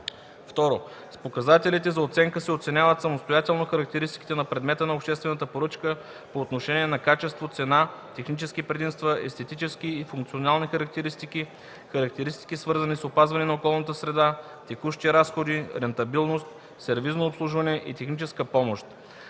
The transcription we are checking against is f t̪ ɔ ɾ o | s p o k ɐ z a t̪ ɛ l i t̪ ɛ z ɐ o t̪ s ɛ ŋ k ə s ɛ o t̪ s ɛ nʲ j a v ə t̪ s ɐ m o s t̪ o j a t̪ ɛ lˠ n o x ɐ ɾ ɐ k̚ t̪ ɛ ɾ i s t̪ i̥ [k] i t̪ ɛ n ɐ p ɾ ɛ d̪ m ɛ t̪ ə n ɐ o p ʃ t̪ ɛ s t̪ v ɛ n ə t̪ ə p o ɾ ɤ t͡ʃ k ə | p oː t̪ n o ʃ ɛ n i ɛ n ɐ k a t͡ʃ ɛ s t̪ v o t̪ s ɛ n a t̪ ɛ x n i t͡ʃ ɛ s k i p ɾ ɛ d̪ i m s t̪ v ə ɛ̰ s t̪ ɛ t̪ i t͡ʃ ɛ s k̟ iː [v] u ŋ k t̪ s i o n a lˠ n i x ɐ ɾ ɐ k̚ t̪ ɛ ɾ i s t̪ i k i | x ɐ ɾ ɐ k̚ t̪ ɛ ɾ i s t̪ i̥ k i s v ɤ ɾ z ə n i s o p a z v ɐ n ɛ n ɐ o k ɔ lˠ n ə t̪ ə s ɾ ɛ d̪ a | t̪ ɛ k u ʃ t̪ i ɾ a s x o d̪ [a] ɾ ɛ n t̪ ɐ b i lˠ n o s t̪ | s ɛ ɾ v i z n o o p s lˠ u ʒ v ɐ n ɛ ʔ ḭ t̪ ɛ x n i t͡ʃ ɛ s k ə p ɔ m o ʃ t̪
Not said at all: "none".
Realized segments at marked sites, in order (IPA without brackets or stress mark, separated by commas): k, f, i